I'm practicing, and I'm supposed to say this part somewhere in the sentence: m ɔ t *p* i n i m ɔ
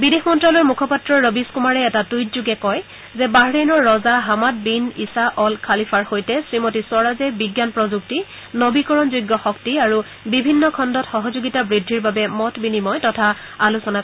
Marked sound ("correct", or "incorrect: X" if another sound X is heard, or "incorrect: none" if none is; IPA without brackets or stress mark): incorrect: b